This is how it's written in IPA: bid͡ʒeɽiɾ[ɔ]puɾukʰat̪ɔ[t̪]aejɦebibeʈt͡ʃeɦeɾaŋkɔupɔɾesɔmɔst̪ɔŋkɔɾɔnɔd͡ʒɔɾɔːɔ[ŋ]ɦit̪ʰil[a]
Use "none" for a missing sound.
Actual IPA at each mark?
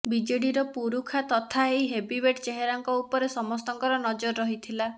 ɔ, t̪ʰ, none, a

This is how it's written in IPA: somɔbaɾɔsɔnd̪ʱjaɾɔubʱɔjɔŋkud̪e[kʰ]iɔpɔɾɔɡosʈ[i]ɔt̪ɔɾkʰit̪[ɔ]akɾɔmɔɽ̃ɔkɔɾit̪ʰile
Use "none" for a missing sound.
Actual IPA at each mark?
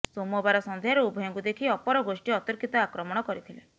kʰ, i, ɔ

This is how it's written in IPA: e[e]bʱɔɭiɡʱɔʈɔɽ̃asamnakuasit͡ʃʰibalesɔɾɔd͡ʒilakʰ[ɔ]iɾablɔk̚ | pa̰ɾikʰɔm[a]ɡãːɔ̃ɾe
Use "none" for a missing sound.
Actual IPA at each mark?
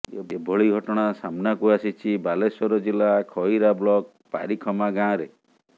e, ɔ, a

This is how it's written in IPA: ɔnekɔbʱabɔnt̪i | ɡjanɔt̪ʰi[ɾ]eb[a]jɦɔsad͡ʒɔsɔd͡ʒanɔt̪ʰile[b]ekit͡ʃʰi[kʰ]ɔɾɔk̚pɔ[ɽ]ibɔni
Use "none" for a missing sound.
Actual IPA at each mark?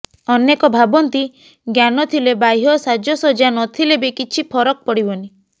l, a, b, pʰ, ɽ

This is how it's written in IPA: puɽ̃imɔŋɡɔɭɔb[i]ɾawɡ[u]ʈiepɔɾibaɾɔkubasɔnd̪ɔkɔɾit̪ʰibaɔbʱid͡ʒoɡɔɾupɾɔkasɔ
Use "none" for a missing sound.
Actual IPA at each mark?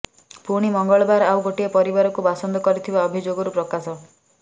a, o

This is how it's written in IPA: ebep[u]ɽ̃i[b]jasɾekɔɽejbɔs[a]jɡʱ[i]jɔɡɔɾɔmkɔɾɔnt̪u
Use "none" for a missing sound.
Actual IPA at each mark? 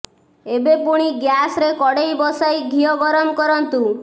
u, ɡ, a, i

